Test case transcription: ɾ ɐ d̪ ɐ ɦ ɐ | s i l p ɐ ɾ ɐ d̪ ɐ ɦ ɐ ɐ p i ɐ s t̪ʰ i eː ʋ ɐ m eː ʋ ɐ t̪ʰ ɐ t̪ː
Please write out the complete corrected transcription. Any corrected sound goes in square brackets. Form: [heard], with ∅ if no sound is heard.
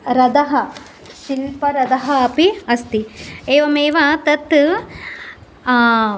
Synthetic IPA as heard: ɾ ɐ d̪ ɐ ɦ ɐ | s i l p ɐ ɾ ɐ d̪ ɐ ɦ ɐ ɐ p i ɐ s [t̪] i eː ʋ ɐ m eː ʋ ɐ [t̪] ɐ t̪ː